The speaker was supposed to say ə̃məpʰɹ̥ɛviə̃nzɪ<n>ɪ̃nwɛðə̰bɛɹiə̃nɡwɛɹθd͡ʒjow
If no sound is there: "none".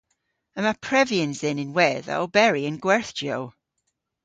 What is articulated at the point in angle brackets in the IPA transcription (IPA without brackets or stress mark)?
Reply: n